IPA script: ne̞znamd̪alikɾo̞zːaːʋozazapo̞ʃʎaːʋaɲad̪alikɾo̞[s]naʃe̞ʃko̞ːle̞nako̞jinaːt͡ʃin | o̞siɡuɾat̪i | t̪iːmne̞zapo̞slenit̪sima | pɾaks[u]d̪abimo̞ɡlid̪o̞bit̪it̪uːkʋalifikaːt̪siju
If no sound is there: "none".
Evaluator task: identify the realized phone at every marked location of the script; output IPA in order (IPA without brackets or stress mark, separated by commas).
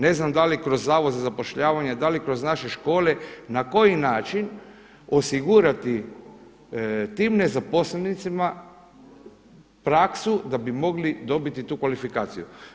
z, u